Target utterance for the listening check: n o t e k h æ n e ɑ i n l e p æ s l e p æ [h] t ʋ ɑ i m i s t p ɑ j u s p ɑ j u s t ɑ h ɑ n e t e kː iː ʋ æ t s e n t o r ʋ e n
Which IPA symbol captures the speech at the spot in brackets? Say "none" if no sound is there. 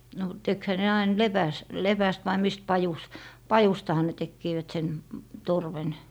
s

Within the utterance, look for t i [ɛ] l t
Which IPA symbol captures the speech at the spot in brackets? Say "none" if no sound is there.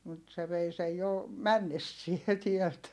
ɛ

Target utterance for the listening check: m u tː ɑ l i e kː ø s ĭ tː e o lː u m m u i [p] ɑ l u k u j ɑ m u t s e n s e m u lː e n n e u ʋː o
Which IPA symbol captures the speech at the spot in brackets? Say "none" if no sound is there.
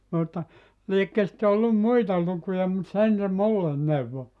t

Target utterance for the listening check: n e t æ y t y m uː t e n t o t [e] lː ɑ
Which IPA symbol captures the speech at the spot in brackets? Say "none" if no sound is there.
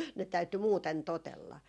e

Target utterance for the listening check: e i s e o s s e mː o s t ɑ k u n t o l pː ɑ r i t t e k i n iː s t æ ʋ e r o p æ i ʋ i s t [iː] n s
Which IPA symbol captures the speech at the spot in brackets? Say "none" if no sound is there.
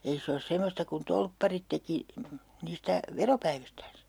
æː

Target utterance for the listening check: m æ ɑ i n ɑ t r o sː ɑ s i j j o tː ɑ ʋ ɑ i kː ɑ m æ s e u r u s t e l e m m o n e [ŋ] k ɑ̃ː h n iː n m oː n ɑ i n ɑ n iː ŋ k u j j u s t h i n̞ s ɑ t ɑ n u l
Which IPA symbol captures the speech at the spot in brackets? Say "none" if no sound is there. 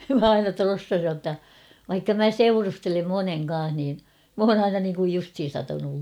ŋ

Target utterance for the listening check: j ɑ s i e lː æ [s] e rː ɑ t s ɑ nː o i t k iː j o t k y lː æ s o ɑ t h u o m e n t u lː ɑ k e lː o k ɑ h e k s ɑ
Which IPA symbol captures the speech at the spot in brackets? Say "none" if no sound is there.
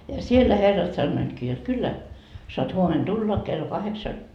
h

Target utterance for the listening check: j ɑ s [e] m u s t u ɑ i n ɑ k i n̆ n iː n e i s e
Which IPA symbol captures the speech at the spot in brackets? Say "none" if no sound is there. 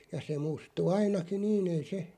e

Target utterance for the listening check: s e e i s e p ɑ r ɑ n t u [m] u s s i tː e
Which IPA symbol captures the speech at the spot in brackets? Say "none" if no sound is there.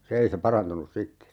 n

